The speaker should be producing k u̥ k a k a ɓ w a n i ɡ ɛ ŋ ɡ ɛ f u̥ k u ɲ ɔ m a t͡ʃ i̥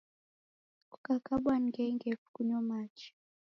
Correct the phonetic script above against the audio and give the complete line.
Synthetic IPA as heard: k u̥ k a k a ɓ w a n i ɡ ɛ ŋ ɡ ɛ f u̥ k u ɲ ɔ m a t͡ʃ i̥